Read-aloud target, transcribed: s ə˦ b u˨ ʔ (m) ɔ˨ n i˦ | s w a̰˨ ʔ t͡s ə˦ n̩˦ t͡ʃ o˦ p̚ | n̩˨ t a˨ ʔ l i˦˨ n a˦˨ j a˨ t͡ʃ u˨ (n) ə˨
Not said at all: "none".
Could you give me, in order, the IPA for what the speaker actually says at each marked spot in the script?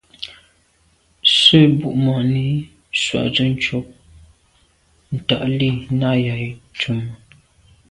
m, m

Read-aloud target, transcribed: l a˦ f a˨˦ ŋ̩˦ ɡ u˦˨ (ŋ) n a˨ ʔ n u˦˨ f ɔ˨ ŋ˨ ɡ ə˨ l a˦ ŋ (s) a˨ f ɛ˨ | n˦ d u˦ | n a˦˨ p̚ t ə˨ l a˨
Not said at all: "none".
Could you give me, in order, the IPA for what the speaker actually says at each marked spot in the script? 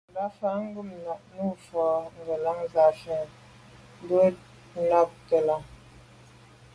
m, z

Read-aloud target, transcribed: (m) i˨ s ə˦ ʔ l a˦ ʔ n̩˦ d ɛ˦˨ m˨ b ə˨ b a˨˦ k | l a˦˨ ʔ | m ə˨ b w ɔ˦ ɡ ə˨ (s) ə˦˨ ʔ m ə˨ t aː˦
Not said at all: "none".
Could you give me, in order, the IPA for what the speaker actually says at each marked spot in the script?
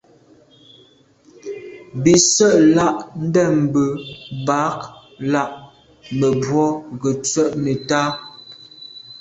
b, t͡s

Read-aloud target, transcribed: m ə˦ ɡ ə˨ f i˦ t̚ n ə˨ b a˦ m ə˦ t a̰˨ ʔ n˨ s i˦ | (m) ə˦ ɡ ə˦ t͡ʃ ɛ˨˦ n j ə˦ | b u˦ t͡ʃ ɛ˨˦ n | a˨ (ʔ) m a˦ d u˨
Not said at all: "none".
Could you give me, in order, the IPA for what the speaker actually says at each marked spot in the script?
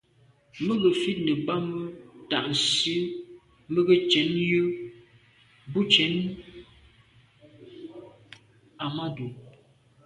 m, none

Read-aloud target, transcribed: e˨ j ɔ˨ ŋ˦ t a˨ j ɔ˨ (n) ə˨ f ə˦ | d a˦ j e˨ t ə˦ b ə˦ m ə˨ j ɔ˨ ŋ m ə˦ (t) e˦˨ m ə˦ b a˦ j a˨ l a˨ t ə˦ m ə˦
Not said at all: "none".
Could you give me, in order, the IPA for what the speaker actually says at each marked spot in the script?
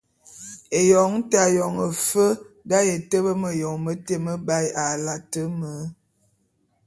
ŋ, t

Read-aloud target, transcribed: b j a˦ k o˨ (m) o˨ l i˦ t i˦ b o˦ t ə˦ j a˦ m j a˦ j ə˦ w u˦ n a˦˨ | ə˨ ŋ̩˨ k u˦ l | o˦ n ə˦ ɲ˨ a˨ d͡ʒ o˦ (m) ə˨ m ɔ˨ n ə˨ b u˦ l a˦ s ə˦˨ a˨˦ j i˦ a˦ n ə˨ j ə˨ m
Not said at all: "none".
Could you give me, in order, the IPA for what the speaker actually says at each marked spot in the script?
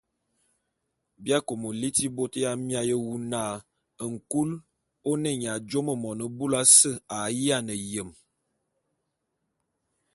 m, m

